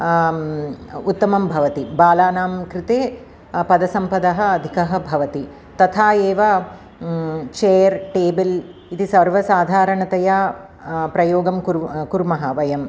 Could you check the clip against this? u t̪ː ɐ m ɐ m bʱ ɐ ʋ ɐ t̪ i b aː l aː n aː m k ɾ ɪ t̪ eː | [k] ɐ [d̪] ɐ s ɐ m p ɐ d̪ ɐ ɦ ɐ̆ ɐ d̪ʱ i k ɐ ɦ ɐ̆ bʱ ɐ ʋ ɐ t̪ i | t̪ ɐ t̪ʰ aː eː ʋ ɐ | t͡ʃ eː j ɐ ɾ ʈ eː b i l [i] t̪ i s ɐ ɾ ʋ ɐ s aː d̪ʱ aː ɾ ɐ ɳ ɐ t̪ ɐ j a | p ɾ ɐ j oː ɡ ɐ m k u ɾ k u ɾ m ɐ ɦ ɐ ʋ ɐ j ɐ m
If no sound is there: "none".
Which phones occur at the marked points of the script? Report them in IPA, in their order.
p, d̪, i

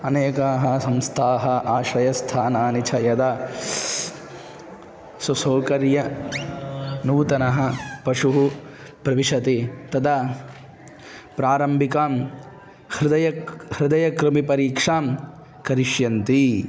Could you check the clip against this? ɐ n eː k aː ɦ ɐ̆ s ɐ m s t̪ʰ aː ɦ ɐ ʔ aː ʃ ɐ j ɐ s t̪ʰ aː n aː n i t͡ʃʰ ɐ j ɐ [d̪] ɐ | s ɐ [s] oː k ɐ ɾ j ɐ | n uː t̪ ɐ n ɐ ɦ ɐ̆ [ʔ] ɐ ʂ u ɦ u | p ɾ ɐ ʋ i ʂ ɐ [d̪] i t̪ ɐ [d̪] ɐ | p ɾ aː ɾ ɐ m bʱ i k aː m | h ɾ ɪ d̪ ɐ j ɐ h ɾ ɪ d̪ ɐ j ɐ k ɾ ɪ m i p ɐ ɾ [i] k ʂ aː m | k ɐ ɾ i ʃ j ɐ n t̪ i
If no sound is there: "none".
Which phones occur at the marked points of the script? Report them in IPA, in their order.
d̪, s, p, t̪, d̪, iː

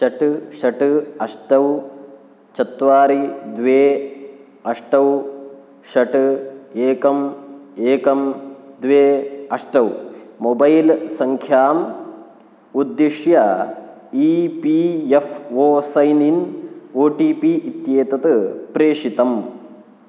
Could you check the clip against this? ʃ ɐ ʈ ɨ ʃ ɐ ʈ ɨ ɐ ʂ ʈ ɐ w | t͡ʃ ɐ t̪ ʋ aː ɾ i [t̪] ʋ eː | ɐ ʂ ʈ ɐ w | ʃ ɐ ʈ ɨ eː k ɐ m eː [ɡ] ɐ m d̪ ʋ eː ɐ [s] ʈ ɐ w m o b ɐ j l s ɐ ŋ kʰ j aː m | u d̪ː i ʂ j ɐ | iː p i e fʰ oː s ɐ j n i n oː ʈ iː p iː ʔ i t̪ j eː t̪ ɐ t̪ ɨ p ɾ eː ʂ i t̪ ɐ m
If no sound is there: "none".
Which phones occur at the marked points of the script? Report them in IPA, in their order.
d̪, k, ʂ

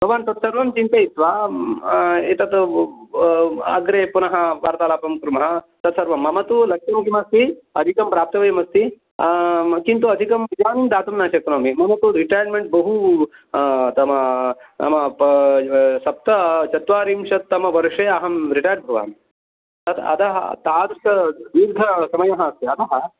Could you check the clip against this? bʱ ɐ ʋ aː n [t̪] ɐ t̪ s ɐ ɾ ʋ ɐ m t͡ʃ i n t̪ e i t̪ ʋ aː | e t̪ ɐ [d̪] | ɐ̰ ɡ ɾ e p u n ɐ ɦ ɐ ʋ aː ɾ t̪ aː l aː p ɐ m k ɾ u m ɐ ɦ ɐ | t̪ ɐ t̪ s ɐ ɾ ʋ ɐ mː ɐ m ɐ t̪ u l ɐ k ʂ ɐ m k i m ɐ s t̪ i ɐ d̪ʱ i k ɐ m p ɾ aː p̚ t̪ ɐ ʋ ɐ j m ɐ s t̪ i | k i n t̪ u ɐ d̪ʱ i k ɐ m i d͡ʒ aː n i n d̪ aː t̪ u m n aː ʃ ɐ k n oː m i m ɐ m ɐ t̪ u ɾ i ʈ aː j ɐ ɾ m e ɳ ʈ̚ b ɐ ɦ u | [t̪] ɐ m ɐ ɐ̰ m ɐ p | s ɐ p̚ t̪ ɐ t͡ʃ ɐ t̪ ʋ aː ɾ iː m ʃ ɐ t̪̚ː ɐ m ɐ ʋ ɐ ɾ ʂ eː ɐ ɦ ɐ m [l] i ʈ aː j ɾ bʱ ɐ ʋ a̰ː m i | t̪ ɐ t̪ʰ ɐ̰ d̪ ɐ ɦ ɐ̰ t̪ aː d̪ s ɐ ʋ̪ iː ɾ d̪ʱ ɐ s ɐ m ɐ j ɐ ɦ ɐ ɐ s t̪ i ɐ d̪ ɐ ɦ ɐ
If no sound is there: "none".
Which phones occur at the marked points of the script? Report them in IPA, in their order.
t̪, t̪, t̪, ɾ

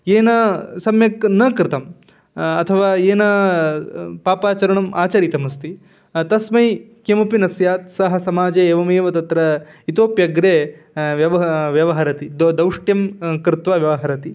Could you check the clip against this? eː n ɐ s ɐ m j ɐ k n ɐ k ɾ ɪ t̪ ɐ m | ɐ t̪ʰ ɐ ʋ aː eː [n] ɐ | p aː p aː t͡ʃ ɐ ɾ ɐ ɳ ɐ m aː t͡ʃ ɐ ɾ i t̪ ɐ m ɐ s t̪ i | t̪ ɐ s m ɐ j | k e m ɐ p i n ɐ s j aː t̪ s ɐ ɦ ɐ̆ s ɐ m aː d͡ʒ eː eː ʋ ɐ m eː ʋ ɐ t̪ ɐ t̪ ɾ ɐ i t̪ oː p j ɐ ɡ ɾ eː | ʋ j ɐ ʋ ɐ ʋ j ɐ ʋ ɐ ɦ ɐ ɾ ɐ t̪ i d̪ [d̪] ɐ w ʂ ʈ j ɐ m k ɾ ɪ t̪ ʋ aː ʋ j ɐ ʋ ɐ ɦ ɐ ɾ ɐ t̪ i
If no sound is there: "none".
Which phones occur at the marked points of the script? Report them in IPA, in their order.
n, d̪

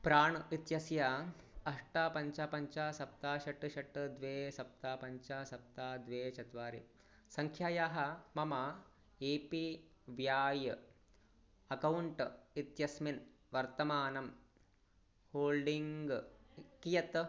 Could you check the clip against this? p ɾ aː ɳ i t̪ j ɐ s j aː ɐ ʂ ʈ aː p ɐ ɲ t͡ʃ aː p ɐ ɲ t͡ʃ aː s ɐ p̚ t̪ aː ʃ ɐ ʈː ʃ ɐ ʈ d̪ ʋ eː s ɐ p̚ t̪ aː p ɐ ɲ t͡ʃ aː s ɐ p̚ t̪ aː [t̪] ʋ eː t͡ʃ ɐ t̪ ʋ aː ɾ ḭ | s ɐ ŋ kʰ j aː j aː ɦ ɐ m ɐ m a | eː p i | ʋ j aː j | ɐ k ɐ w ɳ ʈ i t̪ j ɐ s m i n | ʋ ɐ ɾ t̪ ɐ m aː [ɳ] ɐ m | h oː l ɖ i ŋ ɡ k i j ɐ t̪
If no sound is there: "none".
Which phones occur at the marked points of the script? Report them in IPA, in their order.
d̪, n

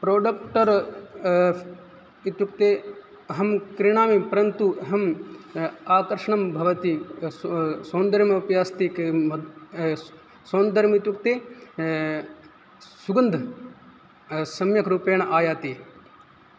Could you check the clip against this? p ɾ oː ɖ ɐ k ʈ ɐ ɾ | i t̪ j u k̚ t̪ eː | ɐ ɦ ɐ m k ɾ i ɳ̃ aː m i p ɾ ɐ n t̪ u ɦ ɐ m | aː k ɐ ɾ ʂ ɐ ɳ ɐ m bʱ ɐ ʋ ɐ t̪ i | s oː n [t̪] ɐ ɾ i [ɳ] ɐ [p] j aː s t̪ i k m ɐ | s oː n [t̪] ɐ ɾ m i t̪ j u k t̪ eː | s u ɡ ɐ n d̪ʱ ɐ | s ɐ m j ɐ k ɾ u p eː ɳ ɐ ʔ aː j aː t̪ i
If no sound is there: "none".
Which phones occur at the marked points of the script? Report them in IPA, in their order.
d̪, m, p, d̪

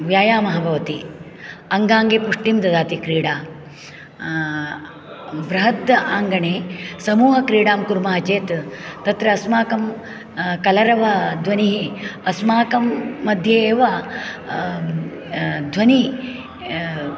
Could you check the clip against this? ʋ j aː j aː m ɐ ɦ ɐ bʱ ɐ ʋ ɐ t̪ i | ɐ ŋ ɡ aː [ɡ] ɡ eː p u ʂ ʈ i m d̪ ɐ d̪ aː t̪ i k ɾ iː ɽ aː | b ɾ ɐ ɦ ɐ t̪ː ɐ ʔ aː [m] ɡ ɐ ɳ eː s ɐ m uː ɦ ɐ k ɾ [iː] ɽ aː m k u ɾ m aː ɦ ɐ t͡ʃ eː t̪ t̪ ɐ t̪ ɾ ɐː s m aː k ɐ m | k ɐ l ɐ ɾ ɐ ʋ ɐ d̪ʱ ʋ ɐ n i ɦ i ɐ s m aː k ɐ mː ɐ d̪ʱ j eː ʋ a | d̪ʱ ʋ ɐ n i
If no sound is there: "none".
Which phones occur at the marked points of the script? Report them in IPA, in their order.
ŋ, ŋ, iː

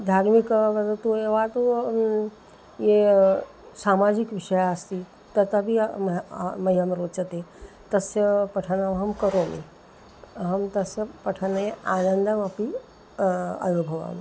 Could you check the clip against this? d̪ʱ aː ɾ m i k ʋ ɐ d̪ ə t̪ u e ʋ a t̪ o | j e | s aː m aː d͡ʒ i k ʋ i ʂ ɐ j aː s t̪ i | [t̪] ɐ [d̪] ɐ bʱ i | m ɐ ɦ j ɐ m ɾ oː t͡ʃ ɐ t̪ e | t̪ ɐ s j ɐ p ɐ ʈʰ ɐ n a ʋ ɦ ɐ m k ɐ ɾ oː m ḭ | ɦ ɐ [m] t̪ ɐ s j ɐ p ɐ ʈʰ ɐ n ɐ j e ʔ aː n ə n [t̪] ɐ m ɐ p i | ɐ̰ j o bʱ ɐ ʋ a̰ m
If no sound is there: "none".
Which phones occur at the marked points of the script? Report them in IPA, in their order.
t̪, t̪, m, d̪

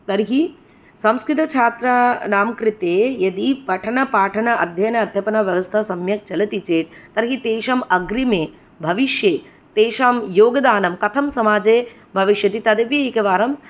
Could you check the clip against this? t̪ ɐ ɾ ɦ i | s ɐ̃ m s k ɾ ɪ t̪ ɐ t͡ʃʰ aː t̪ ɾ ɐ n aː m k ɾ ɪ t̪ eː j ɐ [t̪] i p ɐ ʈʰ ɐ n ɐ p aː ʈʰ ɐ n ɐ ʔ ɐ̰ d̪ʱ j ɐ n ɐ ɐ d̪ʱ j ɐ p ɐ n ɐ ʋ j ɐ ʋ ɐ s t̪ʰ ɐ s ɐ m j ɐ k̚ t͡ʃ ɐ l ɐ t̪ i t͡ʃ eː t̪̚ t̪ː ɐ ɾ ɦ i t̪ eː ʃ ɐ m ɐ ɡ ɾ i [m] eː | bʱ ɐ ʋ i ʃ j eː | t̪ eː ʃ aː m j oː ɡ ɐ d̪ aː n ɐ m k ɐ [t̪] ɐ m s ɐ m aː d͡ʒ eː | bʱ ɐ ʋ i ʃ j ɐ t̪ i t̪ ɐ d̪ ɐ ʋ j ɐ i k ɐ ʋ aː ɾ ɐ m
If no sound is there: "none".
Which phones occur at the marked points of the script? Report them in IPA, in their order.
d̪, m, t̪ʰ

